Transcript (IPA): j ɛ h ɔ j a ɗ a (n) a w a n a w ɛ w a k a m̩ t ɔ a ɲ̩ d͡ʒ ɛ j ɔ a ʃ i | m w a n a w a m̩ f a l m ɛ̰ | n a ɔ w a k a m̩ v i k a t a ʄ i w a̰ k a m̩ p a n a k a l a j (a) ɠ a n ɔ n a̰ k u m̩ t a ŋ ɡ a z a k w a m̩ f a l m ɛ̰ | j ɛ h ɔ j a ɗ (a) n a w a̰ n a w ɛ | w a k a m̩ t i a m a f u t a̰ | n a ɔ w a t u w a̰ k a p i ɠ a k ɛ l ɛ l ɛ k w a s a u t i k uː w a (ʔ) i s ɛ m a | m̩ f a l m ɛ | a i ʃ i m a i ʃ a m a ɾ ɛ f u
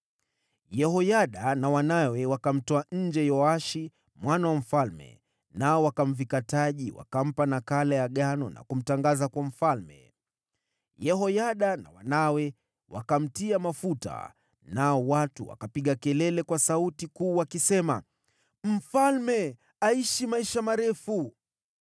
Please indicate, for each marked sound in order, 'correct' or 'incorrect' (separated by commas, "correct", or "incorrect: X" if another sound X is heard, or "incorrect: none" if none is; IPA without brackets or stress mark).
correct, correct, correct, incorrect: k